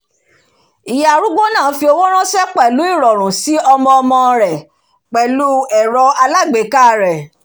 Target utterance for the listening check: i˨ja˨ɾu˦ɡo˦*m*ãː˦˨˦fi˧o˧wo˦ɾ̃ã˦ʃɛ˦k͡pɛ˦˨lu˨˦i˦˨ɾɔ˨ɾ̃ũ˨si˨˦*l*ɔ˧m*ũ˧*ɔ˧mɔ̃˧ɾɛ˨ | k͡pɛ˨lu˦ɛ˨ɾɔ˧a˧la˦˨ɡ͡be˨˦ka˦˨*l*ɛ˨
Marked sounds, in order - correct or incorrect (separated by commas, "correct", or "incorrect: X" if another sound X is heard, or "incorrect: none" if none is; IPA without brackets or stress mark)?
incorrect: n, incorrect: none, incorrect: ɔ̃˧, incorrect: ɾ